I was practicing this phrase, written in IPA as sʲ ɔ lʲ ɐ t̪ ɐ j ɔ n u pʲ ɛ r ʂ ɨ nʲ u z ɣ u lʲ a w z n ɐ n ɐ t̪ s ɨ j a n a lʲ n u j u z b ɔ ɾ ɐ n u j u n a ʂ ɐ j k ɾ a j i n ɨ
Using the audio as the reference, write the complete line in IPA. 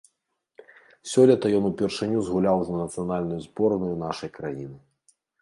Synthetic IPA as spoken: sʲ ɔ lʲ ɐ t̪ ɐ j ɔ n u pʲ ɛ r ʂ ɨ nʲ u z ɣ u lʲ a w z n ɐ n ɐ t̪ s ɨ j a n a lʲ n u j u z b ɔ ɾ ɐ n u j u n a ʂ ɐ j k ɾ a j i n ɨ